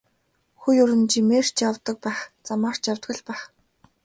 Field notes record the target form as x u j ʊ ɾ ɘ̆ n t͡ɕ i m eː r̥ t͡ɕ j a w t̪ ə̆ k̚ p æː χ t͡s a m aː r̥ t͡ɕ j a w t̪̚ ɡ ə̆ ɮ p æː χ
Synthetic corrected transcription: x u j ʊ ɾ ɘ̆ n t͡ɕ i m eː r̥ t͡ɕ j a w t̪ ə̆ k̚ p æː χ t͡s a m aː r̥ t͡ɕ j a w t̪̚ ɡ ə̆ ɮ p æː χ